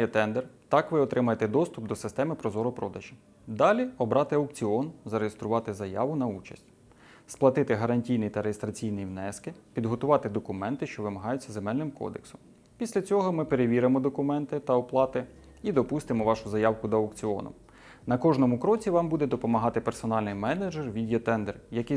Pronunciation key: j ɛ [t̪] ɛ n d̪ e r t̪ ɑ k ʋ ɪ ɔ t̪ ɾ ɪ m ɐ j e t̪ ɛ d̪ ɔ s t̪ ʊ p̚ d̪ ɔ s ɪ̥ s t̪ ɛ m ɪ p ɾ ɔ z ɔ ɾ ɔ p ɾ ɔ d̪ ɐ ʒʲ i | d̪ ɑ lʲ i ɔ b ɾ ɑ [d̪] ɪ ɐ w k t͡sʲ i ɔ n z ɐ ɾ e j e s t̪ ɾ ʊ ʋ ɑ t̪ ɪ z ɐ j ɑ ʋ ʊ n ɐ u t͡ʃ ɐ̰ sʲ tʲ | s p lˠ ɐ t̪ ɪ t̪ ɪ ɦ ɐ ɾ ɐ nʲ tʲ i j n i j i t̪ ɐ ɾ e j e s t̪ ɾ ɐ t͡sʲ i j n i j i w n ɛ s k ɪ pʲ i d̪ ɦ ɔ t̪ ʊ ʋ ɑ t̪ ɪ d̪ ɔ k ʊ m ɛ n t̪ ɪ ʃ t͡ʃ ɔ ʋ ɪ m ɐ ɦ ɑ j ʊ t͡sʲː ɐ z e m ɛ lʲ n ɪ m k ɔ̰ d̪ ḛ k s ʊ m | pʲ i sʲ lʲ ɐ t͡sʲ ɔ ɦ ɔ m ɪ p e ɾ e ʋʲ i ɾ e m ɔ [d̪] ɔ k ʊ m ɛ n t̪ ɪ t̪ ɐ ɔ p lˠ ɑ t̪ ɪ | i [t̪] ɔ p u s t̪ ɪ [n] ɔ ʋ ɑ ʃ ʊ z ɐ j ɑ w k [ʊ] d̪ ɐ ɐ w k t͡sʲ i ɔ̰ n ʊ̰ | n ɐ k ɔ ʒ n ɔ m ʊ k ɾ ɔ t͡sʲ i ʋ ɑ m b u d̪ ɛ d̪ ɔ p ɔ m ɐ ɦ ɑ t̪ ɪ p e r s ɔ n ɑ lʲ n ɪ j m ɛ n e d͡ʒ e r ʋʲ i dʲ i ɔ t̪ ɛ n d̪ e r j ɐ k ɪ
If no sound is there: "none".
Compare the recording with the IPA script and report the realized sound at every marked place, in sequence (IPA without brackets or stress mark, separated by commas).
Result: t̪, t̪, d̪, d̪, m, ʊ